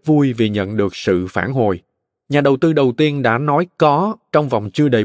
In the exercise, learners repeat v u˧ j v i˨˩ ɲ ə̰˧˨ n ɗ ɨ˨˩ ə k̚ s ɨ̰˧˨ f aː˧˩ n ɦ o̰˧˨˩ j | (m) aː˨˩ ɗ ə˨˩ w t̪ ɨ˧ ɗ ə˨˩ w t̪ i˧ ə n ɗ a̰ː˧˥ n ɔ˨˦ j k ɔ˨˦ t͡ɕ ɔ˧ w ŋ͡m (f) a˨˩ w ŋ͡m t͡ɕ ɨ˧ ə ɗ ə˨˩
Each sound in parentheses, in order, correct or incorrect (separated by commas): incorrect, incorrect